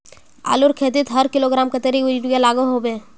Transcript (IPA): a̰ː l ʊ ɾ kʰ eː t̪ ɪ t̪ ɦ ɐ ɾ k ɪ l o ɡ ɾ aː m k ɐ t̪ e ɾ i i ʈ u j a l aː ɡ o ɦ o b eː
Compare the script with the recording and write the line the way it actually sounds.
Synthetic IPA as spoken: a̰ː l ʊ ɾ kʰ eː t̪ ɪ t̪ ɦ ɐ ɾ k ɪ l o ɡ ɾ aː m k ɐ t̪ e ɾ i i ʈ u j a l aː ɡ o ɦ o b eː